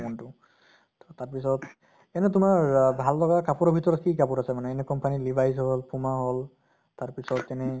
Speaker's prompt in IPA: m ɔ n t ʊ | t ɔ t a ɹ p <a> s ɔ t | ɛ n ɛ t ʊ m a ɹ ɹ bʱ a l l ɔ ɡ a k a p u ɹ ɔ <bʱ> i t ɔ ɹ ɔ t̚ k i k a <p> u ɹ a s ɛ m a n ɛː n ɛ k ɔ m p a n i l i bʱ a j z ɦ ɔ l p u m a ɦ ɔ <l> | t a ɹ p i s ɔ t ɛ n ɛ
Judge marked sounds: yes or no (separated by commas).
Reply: no, yes, yes, yes